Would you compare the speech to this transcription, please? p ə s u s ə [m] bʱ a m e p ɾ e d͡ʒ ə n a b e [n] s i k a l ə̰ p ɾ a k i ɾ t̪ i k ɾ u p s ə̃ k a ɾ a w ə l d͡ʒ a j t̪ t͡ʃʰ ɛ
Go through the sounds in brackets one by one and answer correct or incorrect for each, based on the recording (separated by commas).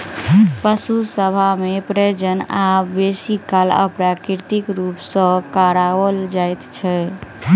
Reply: incorrect, incorrect